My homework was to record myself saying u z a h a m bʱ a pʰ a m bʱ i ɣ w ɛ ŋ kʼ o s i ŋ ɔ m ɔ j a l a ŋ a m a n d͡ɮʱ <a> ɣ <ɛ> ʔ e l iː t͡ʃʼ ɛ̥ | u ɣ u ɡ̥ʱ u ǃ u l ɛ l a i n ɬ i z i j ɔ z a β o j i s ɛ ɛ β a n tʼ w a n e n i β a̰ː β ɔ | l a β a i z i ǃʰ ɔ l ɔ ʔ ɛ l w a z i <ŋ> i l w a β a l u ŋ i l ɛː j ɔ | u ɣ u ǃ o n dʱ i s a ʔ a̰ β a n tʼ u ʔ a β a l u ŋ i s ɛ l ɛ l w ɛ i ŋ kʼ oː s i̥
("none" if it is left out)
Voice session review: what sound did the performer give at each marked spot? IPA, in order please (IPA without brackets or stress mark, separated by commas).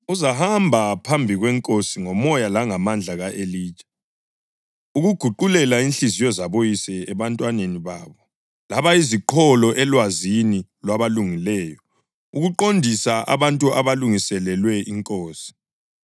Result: a, a, n